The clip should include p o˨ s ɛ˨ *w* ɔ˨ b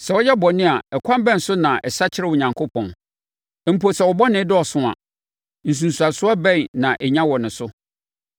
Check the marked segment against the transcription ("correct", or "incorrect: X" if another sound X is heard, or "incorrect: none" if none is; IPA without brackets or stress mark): correct